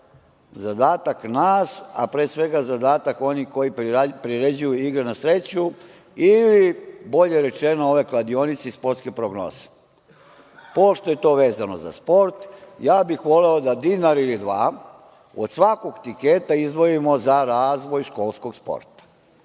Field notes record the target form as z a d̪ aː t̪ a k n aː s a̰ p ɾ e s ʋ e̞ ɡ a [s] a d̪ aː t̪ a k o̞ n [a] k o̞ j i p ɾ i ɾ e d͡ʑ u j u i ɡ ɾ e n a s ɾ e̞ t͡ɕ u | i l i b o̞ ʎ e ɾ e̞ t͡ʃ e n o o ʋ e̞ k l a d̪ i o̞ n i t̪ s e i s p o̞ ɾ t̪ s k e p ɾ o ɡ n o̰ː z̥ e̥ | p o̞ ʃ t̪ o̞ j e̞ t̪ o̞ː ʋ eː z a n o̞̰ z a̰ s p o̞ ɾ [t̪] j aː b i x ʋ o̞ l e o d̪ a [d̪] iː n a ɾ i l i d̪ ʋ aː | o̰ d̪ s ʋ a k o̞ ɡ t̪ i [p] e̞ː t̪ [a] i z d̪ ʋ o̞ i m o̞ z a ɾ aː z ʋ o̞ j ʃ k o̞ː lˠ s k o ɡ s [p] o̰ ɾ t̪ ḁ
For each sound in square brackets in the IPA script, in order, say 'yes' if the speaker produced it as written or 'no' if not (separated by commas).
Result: no, no, yes, yes, no, yes, yes